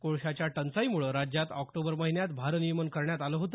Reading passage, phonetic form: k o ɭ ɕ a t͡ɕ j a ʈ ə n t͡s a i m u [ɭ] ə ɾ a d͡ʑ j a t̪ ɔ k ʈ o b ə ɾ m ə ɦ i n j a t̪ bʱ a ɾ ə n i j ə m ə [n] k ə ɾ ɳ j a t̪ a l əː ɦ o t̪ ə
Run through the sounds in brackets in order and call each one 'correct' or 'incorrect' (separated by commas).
correct, correct